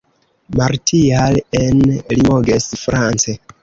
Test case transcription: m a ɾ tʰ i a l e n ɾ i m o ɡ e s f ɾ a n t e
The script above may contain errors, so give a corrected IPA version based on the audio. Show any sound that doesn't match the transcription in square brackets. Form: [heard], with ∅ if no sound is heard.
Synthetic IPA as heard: m a ɾ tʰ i a l e n [l] i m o ɡ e s f ɾ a n [t͡s] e

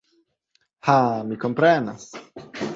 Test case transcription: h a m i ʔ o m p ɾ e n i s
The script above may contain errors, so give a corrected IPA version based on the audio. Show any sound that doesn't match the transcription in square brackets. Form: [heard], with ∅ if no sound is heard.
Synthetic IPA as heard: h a m i [k] o m p ɾ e n [a] s

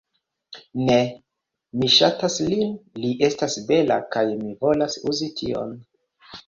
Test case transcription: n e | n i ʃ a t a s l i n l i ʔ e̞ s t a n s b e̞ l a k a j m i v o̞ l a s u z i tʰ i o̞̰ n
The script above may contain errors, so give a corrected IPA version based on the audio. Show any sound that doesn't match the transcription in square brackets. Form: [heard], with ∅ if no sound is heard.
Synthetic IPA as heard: n e | [m] i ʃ a t a s l i n l i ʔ e̞ s t a [∅] s b e̞ l a k a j m i v o̞ l a s u z i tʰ i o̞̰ n

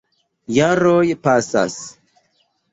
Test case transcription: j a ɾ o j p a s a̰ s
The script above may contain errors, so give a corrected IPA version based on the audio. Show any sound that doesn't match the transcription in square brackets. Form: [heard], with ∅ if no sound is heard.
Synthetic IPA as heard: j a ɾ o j p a s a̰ s

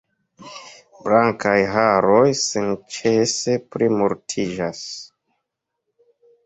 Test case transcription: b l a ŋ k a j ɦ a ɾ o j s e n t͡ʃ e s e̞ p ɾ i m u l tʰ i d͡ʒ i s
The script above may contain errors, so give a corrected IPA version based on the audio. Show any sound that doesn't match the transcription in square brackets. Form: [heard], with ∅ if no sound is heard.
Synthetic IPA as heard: b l a ŋ k a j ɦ a ɾ o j s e n t͡ʃ e s e̞ p ɾ i m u [ɾ] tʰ i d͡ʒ [a] s

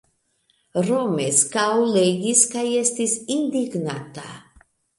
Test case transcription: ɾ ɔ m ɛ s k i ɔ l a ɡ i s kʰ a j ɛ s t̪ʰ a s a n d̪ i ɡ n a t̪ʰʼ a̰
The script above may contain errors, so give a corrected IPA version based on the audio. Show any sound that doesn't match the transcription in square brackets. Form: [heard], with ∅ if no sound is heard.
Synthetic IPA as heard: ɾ ɔ m ɛ s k [a] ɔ l [ɛ] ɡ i s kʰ a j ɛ s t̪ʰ [i] s [i] n d̪ i ɡ n a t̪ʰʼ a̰

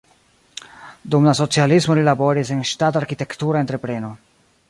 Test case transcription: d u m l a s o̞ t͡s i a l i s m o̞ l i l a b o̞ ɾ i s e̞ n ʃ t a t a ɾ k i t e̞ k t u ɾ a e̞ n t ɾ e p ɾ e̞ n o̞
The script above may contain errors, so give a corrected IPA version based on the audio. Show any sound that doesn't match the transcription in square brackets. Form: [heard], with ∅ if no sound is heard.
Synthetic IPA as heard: d u m l a s o̞ t͡s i a l i s m o̞ l i l a b o̞ ɾ i s e̞ n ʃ t a t a ɾ k i t e̞ k t u ɾ a e̞ n t ɾ e p ɾ e̞ n o̞

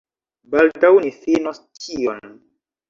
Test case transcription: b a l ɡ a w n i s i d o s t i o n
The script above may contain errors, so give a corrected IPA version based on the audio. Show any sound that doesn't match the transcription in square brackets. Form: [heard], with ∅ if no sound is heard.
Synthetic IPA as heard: b a l [d] a w n i [f] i [n] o s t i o n

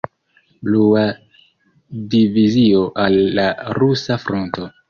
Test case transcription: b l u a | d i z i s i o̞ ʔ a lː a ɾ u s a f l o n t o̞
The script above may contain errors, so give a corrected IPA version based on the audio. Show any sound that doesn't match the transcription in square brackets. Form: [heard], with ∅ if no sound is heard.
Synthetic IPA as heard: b l u a | d i [v] i [z] i o̞ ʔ a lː a ɾ u s a f [ɾ] o n t o̞

